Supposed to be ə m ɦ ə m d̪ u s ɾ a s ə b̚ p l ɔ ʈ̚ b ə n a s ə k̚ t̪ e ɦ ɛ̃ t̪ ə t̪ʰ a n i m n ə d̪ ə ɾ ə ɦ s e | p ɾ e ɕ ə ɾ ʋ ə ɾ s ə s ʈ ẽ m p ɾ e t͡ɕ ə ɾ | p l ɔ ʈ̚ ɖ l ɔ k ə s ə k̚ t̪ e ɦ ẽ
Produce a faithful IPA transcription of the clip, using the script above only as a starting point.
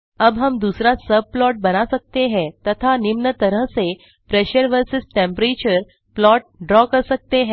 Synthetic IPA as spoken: ə b ɦ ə m d̪ u s ɾ a s ə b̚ p l ɔ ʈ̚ b ə n a s ə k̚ t̪ e ɦ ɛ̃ t̪ ə t̪ʰ a n i m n ə t̪ ə ɾ ə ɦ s e | p ɾ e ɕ ə ɾ ʋ ə ɾ s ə s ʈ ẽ m p ɾ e t͡ɕ ə ɾ | p l ɔ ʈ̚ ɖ ɾ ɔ k ə s ə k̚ t̪ e ɦ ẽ

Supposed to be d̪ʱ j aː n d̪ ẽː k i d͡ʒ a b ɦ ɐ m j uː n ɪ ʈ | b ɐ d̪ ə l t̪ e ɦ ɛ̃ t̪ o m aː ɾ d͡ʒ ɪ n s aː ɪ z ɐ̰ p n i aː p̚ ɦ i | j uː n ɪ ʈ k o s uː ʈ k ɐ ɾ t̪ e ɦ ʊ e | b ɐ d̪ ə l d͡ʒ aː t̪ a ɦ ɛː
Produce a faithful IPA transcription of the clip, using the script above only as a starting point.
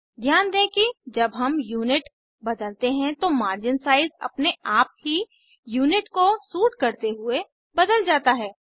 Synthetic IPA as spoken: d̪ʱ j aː n d̪ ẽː k i d͡ʒ ɐ b ɦ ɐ m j uː n ɪ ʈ | b ɐ d̪ ə l t̪ e ɦ ɛ̃ t̪ o m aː ɾ d͡ʒ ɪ n s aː ɪ z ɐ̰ p n e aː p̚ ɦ i | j uː n ɪ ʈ k o s uː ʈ k ɐ ɾ t̪ e ɦ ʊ e | b ɐ d̪ ə l d͡ʒ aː t̪ a ɦ ɛː

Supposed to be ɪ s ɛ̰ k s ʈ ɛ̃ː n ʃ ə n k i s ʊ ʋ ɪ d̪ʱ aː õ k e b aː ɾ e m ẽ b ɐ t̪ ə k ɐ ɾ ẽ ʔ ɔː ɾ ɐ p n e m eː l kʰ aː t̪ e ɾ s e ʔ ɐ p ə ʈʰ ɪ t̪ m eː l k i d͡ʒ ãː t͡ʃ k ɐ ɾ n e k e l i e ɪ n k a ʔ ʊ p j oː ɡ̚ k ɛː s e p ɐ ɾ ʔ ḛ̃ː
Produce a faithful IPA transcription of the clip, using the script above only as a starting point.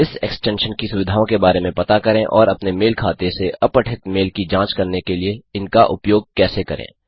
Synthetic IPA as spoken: ɪ s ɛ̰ k s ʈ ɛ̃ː n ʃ ə n k i s ʊ ʋ ɪ d̪ʱ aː õ k e b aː ɾ e m ẽ p ɐ t̪ a k ɐ ɾ ẽ ʔ ɔː ɾ ɐ p n e m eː l kʰ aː t̪ e s e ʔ ɐ p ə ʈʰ ɪ t̪ m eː l k i d͡ʒ ãː t͡ʃ k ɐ ɾ n e k e l i e ɪ n k a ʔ ʊ p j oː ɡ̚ k ɛː s e k ɐ ɾ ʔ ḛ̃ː

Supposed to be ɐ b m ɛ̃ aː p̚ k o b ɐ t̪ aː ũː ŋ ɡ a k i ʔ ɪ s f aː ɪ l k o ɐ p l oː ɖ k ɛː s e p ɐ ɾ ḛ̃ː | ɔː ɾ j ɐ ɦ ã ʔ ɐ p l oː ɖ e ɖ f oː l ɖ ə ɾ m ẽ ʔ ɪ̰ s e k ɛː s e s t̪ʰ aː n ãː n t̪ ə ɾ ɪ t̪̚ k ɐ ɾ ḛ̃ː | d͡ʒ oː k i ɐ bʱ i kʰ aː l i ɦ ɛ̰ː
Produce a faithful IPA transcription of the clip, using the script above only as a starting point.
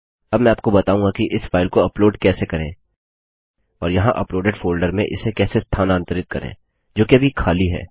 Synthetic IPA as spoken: ɐ b m ɛ̃ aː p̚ k o b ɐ t̪ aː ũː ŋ ɡ a k i ʔ ɪ s f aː ɪ l k o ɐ p l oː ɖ k ɛː s e k ɐ ɾ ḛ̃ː | ɔː ɾ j ɐ ɦ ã ʔ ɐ p l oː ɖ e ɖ f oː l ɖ ə ɾ m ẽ ʔ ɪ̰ s e k ɛː s e s t̪ʰ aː n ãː n t̪ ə ɾ ɪ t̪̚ k ɐ ɾ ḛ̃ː | d͡ʒ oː k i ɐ bʱ i kʰ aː l i ɦ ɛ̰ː

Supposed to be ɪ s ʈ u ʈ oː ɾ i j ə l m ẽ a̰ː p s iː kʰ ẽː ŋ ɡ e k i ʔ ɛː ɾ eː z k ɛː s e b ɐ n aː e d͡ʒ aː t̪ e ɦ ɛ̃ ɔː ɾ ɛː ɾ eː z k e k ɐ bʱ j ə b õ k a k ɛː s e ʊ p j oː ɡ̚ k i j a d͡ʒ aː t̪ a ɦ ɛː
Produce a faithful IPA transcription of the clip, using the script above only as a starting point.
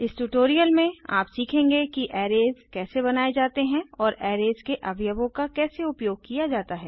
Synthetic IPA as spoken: ɪ s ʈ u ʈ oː ɾ i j ə l m ẽ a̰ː p s iː kʰ ẽː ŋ ɡ e k i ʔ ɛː ɾ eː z k ɛː s e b ɐ n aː e d͡ʒ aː t̪ e ɦ ɛ̃ ɔː ɾ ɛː ɾ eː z k e ʔ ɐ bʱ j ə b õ k a k ɛː s e ʊ p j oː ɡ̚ k i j a d͡ʒ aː t̪ a ɦ ɛː

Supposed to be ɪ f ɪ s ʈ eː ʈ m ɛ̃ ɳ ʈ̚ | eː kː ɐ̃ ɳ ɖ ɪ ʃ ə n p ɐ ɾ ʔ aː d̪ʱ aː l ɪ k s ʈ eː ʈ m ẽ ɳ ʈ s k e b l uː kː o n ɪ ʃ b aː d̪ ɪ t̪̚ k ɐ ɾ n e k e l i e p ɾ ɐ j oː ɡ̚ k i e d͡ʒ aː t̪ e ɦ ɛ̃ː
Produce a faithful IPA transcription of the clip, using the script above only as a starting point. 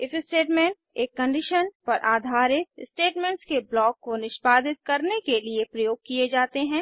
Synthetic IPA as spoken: ɪ f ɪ s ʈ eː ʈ m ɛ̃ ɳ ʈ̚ | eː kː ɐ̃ ɳ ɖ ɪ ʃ ə n p ɐ ɾ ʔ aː d̪ʱ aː ɾ ɪ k s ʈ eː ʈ m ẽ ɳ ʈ s k e b l ɔː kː o n ɪ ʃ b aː d̪ ɪ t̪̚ k ɐ ɾ n e k e l i e p ɾ ɐ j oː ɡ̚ k i e d͡ʒ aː t̪ e ɦ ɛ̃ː

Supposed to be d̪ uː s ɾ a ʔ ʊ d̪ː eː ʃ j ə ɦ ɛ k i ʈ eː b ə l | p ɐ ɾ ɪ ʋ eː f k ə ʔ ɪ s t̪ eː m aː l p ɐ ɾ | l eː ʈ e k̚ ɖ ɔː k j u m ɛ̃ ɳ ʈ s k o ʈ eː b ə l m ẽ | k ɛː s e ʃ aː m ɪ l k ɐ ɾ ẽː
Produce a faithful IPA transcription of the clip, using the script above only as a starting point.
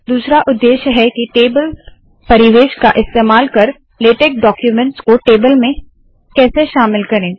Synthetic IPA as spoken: d̪ uː s ɾ a ʔ ʊ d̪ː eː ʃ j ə ɦ ɛ k i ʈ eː b ə l | p ɐ ɾ ɪ ʋ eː ʃ k a ʔ ɪ s t̪ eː m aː l k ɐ ɾ | l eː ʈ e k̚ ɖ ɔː k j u m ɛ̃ ɳ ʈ s k o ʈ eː b ə l m ẽ | k ɛː s e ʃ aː m ɪ l k ɐ ɾ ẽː

